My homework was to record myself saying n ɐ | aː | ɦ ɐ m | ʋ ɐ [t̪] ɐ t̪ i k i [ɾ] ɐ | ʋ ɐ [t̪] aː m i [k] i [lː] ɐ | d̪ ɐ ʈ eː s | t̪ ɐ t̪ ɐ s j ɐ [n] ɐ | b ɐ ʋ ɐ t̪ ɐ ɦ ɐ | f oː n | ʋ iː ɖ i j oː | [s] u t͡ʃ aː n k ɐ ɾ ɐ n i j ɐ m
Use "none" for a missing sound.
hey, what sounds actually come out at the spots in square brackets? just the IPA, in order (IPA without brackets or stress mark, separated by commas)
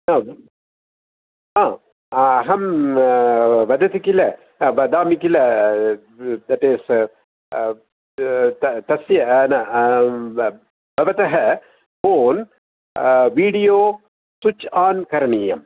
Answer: d̪, l, d̪, k, l, n, s